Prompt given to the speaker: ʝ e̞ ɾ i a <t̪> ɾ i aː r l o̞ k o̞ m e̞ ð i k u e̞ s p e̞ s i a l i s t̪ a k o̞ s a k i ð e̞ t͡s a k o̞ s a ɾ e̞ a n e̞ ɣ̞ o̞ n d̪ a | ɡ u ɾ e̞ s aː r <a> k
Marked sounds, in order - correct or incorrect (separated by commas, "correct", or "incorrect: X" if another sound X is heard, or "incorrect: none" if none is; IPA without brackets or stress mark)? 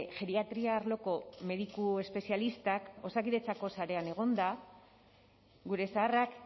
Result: correct, correct